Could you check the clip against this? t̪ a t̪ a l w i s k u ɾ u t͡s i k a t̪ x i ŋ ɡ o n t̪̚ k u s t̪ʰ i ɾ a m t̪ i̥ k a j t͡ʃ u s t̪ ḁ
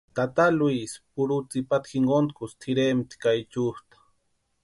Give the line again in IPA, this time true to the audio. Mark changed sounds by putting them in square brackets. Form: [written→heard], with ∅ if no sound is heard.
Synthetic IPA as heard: t̪ a t̪ a l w i s [k→p] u ɾ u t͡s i [k→p] a t̪ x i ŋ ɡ o n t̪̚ k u s t̪ʰ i ɾ [a→e] m t̪ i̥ k a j t͡ʃ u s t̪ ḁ